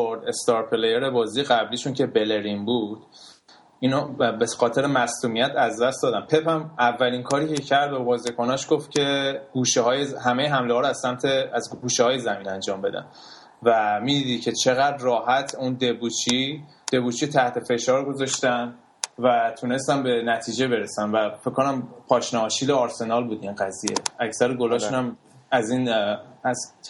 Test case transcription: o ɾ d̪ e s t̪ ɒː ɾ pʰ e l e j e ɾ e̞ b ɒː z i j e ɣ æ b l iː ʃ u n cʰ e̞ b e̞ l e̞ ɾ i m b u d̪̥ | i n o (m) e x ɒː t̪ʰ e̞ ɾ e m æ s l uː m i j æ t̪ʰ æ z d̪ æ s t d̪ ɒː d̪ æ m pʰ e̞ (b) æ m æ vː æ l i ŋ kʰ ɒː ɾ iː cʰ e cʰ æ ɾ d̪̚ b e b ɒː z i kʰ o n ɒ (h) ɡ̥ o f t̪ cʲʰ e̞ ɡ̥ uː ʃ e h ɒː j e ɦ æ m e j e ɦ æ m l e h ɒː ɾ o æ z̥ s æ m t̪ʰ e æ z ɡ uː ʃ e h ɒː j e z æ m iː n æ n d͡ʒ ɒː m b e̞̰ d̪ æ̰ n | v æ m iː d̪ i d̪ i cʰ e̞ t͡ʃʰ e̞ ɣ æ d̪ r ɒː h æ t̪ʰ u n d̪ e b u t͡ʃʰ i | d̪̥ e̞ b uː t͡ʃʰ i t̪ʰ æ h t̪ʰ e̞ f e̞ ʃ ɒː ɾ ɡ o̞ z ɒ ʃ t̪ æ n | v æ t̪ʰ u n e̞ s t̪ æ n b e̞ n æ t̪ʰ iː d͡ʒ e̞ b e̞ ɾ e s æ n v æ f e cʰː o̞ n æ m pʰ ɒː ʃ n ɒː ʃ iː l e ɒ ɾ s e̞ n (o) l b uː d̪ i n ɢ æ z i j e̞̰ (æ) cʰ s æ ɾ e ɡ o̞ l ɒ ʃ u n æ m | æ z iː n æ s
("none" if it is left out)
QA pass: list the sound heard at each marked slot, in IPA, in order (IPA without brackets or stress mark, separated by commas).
b, p, ʃ, ɒ, æ